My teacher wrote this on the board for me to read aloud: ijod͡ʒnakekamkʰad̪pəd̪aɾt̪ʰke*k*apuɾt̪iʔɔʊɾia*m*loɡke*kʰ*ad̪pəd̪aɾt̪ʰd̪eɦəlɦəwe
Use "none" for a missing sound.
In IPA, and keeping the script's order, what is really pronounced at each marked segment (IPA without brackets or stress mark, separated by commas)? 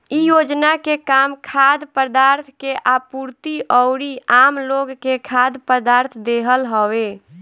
ʔ, m, kʰ